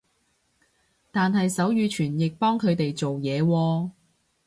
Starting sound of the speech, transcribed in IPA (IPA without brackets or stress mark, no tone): t̪